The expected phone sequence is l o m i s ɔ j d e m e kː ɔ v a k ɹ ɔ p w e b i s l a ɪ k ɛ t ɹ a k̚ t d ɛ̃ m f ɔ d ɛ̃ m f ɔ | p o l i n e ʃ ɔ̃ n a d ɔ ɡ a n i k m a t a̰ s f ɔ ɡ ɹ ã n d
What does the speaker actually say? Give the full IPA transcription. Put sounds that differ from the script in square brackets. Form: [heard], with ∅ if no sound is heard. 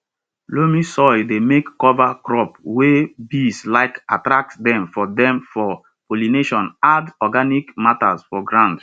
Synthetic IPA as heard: l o m i s ɔ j d e m e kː ɔ v a k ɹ ɔ p w e b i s l a ɪ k [a] t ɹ a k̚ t d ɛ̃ m f ɔ d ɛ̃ m f ɔ | p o l i n e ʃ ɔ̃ n a d ɔ ɡ a n i k m a t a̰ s f ɔ ɡ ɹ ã n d